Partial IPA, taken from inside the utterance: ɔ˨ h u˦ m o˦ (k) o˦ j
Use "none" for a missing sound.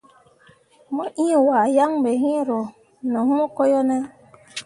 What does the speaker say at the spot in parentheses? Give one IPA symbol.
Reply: k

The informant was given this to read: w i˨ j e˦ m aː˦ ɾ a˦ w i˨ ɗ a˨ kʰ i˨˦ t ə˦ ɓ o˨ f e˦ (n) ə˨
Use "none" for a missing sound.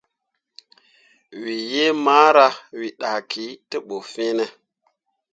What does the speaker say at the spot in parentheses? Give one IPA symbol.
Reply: n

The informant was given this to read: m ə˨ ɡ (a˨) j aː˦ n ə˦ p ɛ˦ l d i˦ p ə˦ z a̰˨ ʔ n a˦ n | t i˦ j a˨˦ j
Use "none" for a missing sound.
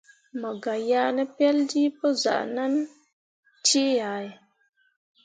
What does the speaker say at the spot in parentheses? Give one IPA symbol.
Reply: a˨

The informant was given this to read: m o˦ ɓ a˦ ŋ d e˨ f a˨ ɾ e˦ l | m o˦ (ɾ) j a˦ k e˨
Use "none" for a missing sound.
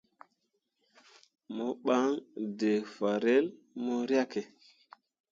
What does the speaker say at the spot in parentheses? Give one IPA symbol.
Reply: ɾ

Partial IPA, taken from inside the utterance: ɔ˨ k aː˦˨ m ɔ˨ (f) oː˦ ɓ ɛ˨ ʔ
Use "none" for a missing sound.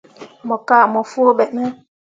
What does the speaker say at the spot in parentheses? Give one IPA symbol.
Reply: f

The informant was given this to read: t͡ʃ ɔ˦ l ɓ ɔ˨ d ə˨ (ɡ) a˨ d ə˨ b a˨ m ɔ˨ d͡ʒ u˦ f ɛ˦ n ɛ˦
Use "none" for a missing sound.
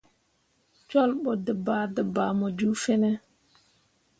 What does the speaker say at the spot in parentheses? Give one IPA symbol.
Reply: b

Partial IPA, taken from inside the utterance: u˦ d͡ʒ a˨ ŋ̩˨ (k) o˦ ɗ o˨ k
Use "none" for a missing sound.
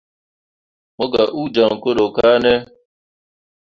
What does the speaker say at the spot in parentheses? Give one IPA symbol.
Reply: k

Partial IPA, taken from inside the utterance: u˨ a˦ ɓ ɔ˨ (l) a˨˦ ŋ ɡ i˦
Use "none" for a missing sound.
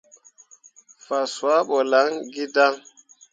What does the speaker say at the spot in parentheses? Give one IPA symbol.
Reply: l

